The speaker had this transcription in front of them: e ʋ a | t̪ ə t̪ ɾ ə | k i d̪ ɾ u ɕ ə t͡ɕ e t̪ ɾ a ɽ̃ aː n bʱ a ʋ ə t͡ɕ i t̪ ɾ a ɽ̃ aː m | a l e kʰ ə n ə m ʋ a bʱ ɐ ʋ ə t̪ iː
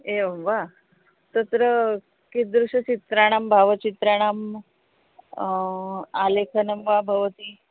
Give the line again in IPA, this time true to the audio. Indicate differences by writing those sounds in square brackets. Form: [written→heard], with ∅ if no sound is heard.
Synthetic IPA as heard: e ʋ a | t̪ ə t̪ ɾ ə | k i d̪ ɾ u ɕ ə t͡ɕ [e→i] t̪ ɾ a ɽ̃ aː [n→m] bʱ a ʋ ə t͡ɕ i t̪ ɾ a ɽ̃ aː m | a l e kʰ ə n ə m ʋ a bʱ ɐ ʋ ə t̪ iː